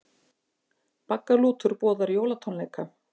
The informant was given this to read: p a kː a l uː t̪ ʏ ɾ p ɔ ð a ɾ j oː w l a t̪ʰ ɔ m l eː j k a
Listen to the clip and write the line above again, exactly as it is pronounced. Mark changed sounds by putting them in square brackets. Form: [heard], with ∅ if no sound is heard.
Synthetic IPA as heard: p a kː a l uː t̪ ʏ ɾ p [ɔː] ð a ɾ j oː w l a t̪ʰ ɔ [n] l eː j k a